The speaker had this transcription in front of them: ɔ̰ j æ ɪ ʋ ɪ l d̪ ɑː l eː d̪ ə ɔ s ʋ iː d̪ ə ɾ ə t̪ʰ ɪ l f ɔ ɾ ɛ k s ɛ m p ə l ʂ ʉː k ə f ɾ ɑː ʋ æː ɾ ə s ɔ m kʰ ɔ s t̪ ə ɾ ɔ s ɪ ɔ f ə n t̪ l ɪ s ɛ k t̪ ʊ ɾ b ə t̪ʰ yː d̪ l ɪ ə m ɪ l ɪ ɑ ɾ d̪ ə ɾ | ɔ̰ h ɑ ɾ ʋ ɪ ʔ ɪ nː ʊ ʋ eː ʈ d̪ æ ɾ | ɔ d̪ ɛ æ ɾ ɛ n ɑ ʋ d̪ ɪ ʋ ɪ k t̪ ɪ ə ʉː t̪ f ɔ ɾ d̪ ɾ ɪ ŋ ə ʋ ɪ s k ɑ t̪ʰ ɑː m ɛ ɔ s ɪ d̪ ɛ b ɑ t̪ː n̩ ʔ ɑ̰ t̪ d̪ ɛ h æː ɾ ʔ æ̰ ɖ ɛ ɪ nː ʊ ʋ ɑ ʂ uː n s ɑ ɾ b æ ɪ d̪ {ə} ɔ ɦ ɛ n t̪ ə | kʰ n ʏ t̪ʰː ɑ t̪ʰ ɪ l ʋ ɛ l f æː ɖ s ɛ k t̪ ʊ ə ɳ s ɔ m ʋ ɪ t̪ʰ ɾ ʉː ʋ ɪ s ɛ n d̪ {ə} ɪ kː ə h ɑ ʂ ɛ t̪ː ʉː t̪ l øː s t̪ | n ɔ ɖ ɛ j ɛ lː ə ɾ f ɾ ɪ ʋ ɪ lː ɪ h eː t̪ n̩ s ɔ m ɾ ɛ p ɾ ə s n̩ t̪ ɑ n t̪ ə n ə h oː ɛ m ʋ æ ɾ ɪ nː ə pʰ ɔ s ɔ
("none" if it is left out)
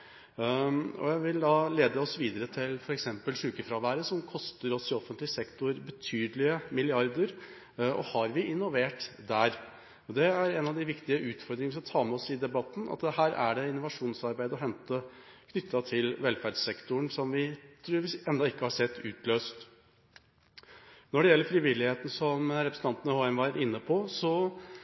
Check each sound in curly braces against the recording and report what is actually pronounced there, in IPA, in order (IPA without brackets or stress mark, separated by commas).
ə, ɑ